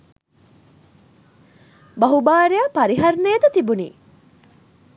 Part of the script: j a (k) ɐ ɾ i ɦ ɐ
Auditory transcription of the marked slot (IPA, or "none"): p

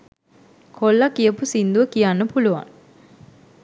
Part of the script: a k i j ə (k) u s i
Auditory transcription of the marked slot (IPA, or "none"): p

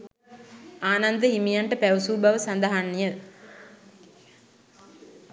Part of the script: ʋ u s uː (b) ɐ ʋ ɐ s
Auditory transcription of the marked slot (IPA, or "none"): b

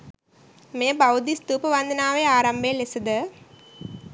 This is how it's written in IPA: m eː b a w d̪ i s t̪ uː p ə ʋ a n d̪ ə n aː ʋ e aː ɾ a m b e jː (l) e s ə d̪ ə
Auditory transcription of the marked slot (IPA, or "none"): l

